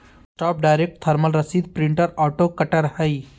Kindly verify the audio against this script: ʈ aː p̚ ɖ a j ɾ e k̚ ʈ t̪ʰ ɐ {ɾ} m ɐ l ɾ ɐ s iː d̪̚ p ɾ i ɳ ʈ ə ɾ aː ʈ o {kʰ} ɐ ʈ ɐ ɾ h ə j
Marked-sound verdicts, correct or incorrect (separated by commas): correct, incorrect